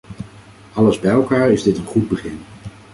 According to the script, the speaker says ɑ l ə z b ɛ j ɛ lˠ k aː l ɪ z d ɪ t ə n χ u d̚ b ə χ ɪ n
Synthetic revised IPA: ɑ l ə z b ɛ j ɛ lˠ k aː ɹ ɪ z d ɪ t ə n χ u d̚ b ə χ ɪ n